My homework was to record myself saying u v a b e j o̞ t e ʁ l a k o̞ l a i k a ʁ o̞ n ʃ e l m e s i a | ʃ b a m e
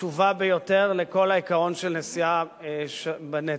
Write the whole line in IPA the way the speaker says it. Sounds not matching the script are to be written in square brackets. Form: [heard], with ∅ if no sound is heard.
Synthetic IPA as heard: u v a b e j o̞ t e ʁ l [e] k o̞ l a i k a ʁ o̞ n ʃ e l [n] e s i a | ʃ b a [n] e